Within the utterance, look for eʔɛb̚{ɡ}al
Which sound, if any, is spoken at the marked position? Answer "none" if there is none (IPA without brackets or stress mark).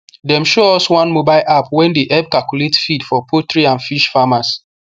k